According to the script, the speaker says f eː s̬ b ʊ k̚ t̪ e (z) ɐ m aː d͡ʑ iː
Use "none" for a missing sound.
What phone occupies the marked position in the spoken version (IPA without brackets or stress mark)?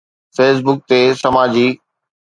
s